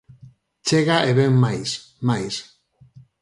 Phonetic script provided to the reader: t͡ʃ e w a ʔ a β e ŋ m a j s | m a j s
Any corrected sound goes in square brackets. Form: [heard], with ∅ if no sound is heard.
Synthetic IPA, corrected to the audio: t͡ʃ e [ɣ] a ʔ [e] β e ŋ m a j s | m a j s